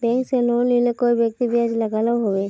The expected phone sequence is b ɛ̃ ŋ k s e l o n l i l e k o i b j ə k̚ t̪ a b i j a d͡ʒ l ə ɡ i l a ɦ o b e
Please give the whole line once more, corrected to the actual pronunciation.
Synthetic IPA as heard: b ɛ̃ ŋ k s e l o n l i l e k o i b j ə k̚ t̪ i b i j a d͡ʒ l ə ɡ a l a ɦ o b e